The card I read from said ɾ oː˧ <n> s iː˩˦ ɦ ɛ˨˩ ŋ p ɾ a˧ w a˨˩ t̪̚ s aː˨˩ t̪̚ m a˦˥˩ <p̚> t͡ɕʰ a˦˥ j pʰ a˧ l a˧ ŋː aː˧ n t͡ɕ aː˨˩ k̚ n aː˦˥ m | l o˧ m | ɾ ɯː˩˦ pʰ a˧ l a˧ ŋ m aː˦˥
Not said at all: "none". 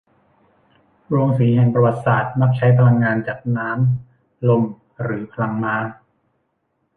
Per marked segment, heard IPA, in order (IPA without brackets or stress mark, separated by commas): ŋ, k̚